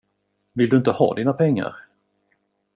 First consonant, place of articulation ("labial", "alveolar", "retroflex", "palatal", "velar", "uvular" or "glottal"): labial